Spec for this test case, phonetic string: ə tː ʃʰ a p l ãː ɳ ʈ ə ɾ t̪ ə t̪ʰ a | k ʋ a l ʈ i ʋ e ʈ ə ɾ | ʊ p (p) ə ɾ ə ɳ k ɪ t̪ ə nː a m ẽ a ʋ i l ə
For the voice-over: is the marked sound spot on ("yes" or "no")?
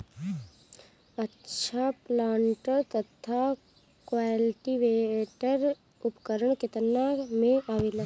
no